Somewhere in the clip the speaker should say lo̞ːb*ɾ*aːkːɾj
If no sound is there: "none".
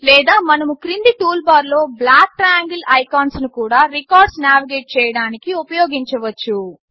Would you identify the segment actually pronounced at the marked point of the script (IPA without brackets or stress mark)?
l